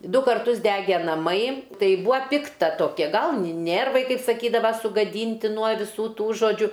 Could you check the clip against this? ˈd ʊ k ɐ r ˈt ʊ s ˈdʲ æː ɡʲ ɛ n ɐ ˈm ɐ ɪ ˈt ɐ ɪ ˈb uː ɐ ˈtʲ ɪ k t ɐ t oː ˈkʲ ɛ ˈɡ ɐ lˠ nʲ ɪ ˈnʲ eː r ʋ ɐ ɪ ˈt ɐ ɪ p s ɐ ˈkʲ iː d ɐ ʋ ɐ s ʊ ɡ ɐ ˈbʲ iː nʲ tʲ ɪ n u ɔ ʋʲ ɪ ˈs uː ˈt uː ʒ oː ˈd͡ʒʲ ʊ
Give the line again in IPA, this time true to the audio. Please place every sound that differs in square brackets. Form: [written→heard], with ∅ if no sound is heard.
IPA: ˈd ʊ k ɐ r ˈt ʊ s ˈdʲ æː ɡʲ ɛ n ɐ ˈm ɐ ɪ ˈt ɐ ɪ ˈb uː ɐ [ˈtʲ→ˈpʲ] ɪ k t ɐ t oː ˈkʲ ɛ ˈɡ ɐ lˠ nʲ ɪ ˈnʲ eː r ʋ ɐ ɪ [ˈt→ˈk] ɐ ɪ p s ɐ ˈkʲ iː d ɐ ʋ ɐ s ʊ ɡ ɐ [ˈbʲ→ˈdʲ] iː nʲ tʲ ɪ n u ɔ ʋʲ ɪ ˈs uː ˈt uː ʒ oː ˈd͡ʒʲ ʊ